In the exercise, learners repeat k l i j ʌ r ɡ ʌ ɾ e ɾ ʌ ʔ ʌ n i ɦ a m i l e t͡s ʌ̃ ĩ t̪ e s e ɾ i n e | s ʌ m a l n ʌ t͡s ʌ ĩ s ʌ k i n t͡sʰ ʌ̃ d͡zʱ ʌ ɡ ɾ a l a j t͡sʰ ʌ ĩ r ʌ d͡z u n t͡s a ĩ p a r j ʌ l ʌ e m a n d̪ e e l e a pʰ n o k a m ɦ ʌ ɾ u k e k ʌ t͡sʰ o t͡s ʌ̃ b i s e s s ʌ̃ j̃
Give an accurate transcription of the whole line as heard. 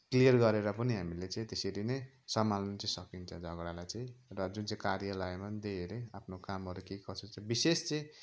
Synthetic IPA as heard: k l i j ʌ r ɡ ʌ ɾ e ɾ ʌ p ʌ n i ɦ a m i l e t͡s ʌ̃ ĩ t̪ e s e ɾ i n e | s ʌ m a l n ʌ t͡s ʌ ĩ s ʌ k i n t͡sʰ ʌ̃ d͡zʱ ʌ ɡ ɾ a l a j t͡s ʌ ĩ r ʌ d͡z u n t͡s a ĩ k a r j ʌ l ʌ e m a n d̪ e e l e a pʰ n o k a m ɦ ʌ ɾ u k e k ʌ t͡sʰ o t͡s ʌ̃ b i s e s t͡s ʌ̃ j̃